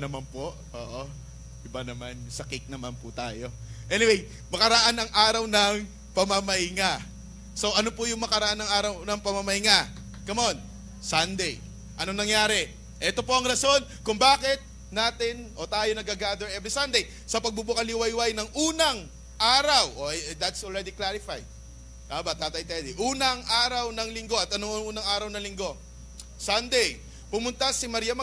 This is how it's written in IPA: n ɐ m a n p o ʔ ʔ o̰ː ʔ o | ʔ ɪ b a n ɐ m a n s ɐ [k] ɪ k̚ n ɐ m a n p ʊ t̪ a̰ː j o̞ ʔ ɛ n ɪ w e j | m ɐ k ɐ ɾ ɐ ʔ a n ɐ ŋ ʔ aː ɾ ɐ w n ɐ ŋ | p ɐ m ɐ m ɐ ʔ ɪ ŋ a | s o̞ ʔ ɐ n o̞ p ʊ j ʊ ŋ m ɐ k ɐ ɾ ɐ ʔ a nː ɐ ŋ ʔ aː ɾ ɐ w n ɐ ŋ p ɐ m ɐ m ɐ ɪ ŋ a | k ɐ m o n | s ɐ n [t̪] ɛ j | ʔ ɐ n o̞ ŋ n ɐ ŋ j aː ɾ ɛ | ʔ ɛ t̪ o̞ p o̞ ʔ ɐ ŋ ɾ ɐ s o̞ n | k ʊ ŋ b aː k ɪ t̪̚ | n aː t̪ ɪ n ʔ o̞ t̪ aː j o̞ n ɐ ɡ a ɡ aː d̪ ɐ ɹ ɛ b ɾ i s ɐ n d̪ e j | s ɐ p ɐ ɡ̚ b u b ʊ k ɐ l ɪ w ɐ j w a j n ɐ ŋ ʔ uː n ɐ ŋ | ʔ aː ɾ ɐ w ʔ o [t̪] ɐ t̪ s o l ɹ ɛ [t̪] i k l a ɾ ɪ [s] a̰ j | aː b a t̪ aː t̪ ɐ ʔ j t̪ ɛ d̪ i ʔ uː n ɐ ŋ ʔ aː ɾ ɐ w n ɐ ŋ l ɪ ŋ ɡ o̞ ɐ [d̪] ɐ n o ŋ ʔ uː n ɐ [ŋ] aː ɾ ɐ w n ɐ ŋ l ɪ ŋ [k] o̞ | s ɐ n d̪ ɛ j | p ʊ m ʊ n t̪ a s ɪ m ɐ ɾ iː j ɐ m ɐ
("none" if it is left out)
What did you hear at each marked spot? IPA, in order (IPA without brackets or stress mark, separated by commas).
k, d̪, d̪, d̪, f, t̪, ŋ, ɡ